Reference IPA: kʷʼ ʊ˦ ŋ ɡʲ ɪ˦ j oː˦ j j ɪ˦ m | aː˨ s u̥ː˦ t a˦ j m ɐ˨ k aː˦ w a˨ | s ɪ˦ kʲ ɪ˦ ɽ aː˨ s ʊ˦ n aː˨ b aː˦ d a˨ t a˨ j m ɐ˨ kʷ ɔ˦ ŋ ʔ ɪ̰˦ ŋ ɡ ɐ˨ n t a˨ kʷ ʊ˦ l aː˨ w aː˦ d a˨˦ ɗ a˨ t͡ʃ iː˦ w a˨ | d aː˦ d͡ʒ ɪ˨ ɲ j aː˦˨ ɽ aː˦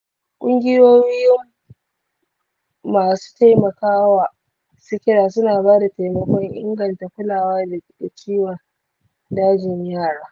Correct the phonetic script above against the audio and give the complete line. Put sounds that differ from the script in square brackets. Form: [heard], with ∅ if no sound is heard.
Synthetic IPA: kʷʼ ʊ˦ ŋ ɡʲ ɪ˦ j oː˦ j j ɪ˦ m | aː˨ s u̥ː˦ t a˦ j m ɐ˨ k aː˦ w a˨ | s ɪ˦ kʲ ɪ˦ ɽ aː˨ s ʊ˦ n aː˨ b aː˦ d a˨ t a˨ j m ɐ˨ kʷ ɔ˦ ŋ ʔ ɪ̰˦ ŋ ɡ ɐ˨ n t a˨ kʷ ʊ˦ l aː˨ w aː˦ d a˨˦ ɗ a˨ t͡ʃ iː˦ w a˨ | d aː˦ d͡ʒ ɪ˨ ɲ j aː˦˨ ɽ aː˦